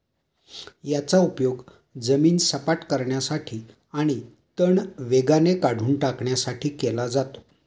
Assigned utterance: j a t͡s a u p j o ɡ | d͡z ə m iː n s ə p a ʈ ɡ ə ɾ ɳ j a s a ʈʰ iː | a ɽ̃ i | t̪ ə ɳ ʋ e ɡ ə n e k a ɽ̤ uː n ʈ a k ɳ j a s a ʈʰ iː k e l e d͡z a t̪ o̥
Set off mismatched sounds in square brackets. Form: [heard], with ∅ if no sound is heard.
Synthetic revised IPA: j a t͡s a u p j o ɡ | d͡z ə m iː n s ə p a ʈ [k] ə ɾ ɳ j a s a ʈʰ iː | a ɽ̃ i | t̪ ə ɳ ʋ e ɡ [a] n e k a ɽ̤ uː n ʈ a k ɳ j a s a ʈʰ iː k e l [a] d͡z a t̪ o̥